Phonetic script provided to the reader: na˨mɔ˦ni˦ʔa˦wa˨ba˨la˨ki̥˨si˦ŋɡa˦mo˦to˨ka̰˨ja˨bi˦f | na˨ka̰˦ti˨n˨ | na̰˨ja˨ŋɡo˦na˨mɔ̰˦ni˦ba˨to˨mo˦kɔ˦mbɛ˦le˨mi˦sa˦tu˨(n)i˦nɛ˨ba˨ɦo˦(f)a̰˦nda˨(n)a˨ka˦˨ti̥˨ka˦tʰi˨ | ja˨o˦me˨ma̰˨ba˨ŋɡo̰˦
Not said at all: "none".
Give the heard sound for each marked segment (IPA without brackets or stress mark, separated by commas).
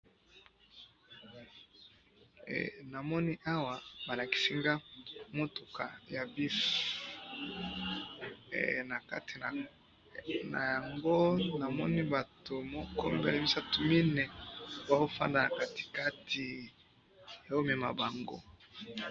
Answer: m, f, n